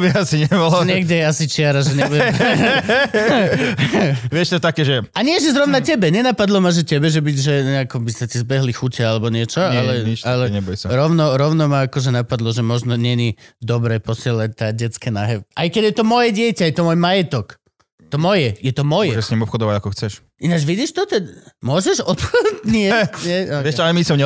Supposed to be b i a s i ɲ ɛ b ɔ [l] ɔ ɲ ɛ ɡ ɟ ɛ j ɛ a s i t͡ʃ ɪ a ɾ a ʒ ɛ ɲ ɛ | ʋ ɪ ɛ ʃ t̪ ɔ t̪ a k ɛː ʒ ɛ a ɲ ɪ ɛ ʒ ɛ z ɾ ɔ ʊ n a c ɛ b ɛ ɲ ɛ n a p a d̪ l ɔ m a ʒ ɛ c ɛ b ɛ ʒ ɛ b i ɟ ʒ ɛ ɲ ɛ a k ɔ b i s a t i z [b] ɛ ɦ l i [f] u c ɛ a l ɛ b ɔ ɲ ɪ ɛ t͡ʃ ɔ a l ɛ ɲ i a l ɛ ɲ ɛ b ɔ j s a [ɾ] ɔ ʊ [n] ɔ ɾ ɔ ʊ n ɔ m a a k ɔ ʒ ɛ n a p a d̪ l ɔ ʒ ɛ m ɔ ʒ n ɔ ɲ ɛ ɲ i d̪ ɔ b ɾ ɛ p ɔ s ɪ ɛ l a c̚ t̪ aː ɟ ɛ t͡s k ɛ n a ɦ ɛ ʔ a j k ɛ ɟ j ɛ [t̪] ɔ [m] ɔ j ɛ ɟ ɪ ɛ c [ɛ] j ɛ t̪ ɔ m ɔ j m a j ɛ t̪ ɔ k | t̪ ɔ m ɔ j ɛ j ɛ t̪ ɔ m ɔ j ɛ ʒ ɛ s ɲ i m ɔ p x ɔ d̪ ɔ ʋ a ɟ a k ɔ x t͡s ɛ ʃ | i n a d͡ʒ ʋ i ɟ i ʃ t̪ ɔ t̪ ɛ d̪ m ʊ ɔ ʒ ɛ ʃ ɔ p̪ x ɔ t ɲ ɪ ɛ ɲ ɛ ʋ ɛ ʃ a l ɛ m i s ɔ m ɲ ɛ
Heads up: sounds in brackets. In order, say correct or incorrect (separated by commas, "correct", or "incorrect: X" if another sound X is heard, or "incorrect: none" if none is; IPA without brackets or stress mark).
correct, correct, incorrect: x, correct, correct, correct, correct, incorrect: a